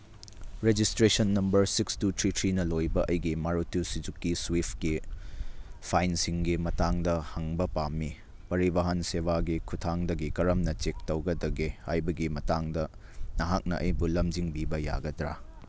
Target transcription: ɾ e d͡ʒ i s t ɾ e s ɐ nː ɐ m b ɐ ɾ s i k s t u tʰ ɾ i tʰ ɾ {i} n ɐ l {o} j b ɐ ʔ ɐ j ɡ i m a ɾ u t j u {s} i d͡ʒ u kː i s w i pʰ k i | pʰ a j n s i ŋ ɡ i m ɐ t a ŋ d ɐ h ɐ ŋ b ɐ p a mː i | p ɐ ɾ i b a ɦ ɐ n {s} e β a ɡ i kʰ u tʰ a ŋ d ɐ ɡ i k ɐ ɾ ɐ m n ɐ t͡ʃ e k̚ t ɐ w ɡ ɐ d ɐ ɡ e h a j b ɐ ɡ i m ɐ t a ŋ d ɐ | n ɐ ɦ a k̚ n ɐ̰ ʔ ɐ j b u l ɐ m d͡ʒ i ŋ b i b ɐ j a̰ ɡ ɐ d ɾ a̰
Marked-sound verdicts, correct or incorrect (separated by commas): correct, correct, correct, correct